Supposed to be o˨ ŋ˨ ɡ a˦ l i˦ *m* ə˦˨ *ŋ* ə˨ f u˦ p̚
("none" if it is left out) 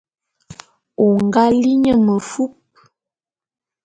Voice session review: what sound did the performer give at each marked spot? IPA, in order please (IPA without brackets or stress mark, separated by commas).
ɲ, m